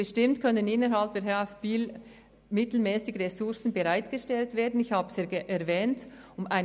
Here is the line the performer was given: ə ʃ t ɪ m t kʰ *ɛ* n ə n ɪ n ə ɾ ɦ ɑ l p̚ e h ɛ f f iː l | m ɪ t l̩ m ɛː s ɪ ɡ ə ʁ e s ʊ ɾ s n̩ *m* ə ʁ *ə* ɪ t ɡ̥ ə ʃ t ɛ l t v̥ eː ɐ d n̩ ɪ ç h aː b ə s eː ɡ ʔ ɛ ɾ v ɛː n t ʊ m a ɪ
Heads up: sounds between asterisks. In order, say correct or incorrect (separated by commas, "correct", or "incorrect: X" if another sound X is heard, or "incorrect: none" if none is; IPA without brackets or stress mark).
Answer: incorrect: œ, incorrect: b, incorrect: a